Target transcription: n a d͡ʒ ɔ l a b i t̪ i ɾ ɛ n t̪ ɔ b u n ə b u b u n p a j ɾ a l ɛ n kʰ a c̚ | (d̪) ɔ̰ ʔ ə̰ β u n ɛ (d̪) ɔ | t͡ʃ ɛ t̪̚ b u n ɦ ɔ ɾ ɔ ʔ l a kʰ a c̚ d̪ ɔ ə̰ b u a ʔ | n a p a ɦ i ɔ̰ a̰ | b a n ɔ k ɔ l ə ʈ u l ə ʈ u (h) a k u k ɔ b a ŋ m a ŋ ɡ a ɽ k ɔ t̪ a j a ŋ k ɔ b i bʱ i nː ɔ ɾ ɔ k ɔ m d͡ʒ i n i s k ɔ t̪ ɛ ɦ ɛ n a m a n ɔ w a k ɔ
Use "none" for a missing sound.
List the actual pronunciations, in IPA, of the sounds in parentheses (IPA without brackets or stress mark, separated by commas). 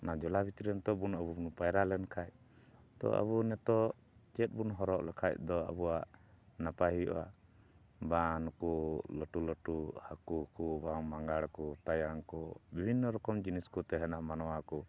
t̪, t̪, h